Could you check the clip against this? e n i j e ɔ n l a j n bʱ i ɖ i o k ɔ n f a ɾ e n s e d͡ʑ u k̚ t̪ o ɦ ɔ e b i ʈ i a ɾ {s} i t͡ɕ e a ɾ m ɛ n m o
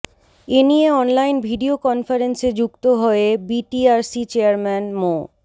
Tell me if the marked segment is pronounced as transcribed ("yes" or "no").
yes